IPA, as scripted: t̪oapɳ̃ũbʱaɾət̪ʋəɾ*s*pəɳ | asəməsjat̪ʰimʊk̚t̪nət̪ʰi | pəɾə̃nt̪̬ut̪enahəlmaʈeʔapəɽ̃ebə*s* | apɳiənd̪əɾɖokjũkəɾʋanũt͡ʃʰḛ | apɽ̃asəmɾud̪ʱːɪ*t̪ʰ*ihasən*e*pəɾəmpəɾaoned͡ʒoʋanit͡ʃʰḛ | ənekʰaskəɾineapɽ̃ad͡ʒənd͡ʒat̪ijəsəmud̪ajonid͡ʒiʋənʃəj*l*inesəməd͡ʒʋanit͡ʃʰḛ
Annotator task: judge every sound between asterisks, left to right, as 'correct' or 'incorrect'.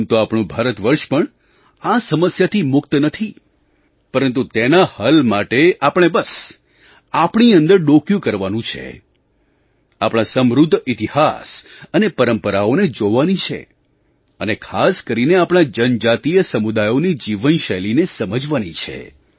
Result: incorrect, correct, incorrect, correct, correct

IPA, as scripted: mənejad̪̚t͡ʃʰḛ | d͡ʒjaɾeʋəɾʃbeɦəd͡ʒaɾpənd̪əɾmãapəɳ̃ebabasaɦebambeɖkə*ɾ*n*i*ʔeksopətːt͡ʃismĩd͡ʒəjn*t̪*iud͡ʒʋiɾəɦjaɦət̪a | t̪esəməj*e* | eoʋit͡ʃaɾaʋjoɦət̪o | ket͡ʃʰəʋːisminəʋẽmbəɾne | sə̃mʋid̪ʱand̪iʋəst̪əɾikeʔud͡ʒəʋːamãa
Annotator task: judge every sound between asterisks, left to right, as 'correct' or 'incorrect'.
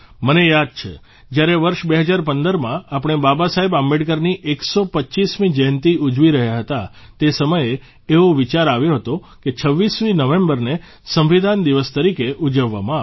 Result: correct, correct, correct, correct

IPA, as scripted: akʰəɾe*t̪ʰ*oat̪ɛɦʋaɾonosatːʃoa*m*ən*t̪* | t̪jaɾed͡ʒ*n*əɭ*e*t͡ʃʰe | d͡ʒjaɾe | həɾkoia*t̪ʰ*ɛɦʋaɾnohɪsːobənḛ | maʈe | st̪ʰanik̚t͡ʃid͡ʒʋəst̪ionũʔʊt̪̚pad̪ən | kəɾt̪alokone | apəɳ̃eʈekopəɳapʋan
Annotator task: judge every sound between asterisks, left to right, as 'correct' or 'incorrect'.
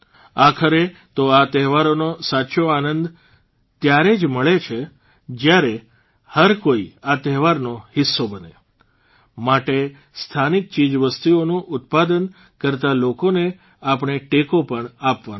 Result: incorrect, incorrect, incorrect, incorrect, correct, incorrect

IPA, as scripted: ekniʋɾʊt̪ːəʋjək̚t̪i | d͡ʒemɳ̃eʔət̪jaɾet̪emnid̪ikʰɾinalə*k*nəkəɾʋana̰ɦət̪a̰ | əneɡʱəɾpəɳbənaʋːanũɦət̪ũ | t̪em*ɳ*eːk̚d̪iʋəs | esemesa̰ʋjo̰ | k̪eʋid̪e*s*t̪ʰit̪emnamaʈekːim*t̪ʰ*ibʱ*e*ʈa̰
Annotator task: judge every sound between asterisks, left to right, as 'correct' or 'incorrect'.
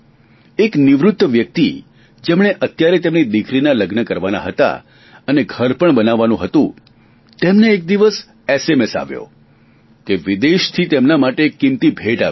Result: incorrect, incorrect, incorrect, incorrect, correct

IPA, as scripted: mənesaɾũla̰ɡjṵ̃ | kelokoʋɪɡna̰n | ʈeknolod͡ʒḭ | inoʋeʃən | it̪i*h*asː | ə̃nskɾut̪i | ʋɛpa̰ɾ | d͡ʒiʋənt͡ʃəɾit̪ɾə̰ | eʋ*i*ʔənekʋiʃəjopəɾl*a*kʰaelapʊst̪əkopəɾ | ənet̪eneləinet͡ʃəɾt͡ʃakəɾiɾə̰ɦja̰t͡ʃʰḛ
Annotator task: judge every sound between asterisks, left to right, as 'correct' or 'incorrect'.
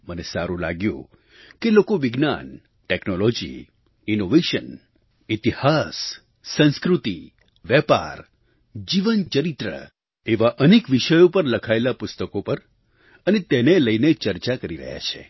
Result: correct, incorrect, incorrect

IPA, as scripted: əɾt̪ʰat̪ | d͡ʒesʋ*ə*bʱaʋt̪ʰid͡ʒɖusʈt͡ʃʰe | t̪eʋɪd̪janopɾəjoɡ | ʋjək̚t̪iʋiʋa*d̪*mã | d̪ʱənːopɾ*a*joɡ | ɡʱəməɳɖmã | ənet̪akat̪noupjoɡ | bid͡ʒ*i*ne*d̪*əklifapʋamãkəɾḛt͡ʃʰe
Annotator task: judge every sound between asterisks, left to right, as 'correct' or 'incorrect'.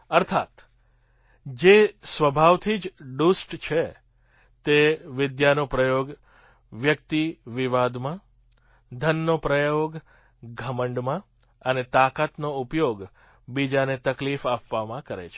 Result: correct, correct, incorrect, incorrect, incorrect

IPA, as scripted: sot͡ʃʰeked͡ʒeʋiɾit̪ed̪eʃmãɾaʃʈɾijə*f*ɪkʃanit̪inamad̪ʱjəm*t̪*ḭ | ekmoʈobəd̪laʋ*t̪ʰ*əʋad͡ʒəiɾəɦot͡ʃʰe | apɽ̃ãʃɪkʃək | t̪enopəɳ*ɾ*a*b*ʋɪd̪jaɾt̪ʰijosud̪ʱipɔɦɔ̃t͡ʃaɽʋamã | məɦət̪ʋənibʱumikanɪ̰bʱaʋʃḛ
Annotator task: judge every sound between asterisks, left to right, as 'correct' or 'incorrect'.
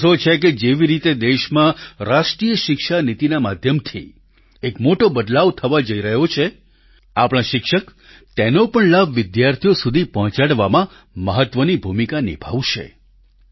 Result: incorrect, incorrect, correct, incorrect, correct

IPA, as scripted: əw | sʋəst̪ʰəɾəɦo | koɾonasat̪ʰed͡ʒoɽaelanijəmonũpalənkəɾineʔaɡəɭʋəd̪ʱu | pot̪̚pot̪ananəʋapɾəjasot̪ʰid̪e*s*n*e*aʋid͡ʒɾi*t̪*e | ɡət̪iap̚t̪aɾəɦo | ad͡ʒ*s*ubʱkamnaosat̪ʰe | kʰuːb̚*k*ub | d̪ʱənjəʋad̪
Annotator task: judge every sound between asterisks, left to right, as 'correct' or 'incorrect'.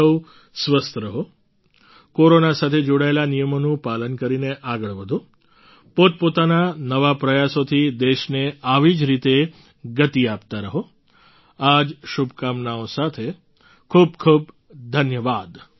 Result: incorrect, correct, correct, incorrect, incorrect

